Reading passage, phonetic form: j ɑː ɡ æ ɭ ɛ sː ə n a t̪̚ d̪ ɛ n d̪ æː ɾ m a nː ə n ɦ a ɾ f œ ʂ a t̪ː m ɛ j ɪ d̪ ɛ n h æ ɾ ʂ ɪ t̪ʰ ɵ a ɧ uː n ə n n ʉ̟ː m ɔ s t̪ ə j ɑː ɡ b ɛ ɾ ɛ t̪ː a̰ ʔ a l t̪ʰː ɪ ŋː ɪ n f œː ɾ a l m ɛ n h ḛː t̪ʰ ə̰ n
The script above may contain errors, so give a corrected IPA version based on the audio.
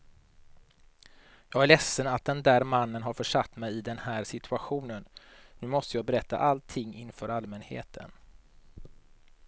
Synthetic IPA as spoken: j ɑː ɡ æ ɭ ɛ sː ə n a t̪̚ d̪ ɛ n d̪ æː ɾ m a nː ə n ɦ a ɾ f œ ʂ a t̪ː m ɛ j ɪ d̪ ɛ n h æː ɾ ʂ ɪ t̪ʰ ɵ a ɧ uː n ə n n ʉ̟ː m ɔ s t̪ ə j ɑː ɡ b ɛ ɾ ɛ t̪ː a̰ ʔ a l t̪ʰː ɪ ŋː ɪ n f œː ɾ a l m ɛ n h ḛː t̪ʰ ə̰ n